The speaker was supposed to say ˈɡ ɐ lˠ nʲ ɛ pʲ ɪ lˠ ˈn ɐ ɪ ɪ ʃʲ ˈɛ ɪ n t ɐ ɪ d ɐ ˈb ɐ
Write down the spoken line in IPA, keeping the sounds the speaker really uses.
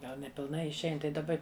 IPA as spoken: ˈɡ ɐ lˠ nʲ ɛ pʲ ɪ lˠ ˈn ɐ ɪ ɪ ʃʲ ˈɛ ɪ n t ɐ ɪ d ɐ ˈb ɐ